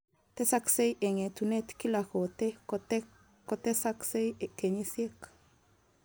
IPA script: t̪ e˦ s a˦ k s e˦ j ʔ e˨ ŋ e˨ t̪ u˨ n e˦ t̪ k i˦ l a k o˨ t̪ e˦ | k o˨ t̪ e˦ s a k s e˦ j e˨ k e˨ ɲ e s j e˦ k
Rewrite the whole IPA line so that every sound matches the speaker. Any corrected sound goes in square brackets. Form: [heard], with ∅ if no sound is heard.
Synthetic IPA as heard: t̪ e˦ s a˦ k s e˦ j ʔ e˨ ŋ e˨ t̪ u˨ n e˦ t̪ k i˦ l a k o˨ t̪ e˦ | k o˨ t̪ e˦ s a k s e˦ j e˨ k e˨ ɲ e s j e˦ k